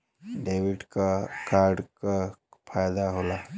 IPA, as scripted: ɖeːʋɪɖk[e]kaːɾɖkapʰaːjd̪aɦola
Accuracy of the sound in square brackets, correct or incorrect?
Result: incorrect